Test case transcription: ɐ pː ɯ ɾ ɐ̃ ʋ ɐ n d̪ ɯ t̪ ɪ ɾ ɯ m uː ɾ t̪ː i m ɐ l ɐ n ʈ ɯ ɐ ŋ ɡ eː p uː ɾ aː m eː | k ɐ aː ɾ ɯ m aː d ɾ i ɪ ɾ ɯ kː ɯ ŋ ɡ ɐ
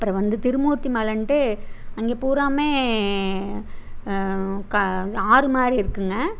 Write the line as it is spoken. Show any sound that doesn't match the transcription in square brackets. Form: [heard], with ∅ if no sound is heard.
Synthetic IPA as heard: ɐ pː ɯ ɾ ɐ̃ ʋ ɐ n d̪ ɯ t̪ ɪ ɾ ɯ m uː ɾ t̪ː i m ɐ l ɐ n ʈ ɯ ɐ ŋ ɡ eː p uː ɾ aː m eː | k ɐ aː ɾ ɯ m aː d ɾ i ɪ ɾ ɯ kː ɯ ŋ ɡ ɐ